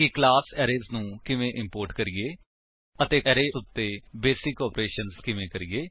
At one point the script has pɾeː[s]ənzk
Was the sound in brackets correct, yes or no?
no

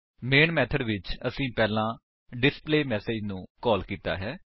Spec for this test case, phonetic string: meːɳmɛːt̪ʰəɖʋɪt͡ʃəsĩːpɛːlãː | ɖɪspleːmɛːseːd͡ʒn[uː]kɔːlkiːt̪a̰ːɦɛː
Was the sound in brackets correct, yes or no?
no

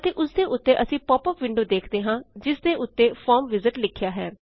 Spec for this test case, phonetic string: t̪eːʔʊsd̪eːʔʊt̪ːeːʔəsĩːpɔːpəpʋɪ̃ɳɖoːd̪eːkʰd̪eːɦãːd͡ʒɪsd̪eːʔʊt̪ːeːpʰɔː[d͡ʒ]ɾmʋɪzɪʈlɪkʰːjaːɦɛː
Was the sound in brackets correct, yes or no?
no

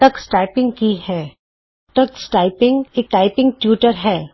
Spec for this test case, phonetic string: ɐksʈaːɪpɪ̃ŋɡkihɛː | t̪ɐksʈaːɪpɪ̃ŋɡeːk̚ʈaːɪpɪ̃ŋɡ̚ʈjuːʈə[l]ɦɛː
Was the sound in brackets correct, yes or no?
no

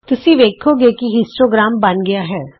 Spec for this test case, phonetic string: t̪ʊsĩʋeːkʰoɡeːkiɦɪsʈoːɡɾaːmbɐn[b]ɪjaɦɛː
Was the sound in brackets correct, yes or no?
no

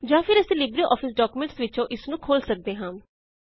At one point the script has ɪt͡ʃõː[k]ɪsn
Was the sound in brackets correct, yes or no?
no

